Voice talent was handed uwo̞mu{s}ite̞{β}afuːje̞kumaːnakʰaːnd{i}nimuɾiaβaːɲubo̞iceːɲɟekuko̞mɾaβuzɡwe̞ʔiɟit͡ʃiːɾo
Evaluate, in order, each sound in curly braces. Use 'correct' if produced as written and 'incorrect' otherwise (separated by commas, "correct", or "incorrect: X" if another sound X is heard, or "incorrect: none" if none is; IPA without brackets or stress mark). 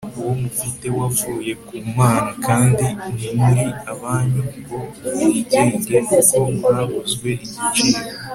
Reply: incorrect: f, incorrect: w, correct